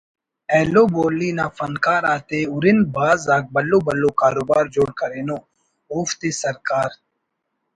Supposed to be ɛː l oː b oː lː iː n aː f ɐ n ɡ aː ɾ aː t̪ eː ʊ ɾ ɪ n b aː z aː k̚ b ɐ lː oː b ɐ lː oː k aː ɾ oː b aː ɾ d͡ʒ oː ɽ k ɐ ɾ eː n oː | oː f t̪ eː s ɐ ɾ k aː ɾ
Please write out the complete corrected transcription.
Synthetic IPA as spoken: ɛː l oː b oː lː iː n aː f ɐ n k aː ɾ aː t̪ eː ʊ ɾ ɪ n b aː z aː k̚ b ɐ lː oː b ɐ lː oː k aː ɾ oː b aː ɾ d͡ʒ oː ɽ k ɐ ɾ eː n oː | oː f t̪ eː s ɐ ɾ k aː ɾ